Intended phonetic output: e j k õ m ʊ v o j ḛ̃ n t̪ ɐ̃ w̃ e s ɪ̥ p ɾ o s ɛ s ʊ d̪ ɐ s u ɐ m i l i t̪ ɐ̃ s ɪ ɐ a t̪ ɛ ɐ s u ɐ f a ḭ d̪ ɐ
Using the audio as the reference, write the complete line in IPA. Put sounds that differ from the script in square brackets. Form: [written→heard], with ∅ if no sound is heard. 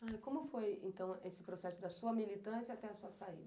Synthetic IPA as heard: [e→a] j k õ m ʊ [v→f] o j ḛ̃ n t̪ ɐ̃ w̃ e s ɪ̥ p ɾ o s ɛ s ʊ d̪ ɐ s u ɐ m i l i t̪ ɐ̃ s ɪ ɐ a t̪ ɛ ɐ s u ɐ [f→s] a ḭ d̪ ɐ

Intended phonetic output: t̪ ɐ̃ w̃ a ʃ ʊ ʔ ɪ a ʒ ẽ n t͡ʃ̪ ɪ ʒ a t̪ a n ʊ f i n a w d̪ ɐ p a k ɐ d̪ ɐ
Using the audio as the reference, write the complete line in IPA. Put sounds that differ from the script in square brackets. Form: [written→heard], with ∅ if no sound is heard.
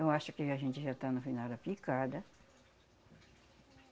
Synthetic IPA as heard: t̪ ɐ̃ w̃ a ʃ ʊ [ʔ→k] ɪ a ʒ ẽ n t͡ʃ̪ ɪ ʒ a t̪ a n ʊ f i n a w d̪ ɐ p [a→i] k [ɐ→a] d̪ ɐ

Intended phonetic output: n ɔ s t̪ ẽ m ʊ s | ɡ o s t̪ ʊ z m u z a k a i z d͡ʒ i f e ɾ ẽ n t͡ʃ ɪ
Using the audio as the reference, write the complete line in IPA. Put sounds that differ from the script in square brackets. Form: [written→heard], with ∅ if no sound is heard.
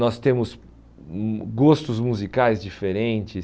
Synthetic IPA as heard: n ɔ s t̪ ẽ m ʊ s | ɡ o s t̪ ʊ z m u z [a→i] k a [i→j] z d͡ʒ i f e ɾ ẽ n t͡ʃ ɪ

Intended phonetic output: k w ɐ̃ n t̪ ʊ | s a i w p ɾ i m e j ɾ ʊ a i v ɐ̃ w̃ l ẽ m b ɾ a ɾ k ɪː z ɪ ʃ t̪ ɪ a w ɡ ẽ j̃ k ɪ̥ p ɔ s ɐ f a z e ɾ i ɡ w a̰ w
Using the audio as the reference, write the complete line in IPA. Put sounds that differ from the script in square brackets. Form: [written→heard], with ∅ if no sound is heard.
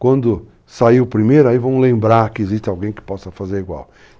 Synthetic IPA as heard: k w ɐ̃ n [t̪→d̪] ʊ | s a i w p ɾ i m e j ɾ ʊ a i v ɐ̃ w̃ l ẽ m b ɾ a ɾ k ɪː z [ɪ→i] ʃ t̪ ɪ a w ɡ ẽ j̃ k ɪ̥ p ɔ s ɐ f a z e ɾ i ɡ w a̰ w

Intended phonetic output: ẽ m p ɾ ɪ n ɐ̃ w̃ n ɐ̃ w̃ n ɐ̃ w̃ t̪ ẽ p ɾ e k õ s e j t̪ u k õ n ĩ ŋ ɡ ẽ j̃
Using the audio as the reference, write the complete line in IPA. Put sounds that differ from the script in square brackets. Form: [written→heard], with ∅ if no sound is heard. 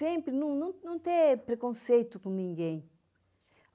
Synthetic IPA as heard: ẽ m p ɾ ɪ n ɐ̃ w̃ n ɐ̃ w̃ n ɐ̃ w̃ t̪ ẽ p ɾ e k õ s e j t̪ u k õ n ĩ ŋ ɡ ẽ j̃

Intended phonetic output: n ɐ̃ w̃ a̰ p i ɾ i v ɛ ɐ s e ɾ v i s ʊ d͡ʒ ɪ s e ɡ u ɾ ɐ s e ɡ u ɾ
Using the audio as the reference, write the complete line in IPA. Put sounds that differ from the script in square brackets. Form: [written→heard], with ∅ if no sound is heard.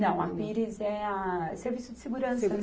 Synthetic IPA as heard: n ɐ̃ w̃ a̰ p i ɾ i [v→z] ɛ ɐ s e ɾ v i s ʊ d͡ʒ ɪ s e ɡ u ɾ [ɐ→ɐ̃] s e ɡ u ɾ

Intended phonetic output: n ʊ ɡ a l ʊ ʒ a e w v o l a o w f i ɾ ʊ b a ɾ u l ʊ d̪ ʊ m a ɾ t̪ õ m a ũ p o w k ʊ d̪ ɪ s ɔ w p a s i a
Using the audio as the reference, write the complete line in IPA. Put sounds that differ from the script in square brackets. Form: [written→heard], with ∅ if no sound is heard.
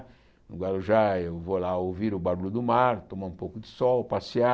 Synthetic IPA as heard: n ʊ ɡ a l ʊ ʒ a e w v o l a o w [f→v] i ɾ ʊ b a ɾ u l ʊ d̪ ʊ m a ɾ t̪ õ m a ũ p o w k ʊ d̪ ɪ s ɔ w p a s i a

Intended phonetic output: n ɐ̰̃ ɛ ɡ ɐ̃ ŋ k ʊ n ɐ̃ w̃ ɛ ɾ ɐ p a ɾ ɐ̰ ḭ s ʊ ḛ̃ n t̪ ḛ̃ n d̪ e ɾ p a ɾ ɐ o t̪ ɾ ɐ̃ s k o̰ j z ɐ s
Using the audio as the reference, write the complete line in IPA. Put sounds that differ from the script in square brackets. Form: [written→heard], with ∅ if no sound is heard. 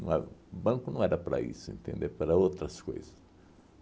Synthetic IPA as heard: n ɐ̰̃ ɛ [ɡ→b] ɐ̃ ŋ k ʊ n ɐ̃ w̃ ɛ ɾ ɐ p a ɾ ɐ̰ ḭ s ʊ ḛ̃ n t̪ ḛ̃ n d̪ e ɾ p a ɾ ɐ o t̪ ɾ [ɐ̃→ɐ] s k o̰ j z ɐ s

